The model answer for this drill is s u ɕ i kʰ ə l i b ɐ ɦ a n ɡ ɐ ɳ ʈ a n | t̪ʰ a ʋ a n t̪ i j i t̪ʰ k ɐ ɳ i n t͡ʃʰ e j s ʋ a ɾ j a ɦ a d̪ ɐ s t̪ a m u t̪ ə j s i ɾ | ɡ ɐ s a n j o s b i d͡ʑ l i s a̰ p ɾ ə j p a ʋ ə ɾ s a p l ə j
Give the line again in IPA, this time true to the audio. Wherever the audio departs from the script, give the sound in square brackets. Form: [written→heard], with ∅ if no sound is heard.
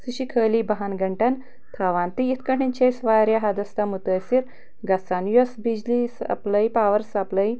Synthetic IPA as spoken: s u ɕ i kʰ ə l i b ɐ ɦ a n ɡ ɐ ɳ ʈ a n | t̪ʰ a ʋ a n t̪ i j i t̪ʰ k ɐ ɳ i n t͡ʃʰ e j s ʋ a ɾ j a ɦ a d̪ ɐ s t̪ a m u t̪ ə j s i ɾ | ɡ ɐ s a n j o s b i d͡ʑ l i s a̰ p [ɾ→l] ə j p a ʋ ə ɾ s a p l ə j